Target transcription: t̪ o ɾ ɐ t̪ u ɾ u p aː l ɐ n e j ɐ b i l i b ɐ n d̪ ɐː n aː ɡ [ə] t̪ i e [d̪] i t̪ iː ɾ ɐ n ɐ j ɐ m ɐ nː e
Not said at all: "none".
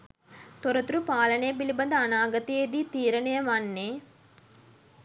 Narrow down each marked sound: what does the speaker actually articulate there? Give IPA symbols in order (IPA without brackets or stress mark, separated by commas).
ɐ, d̪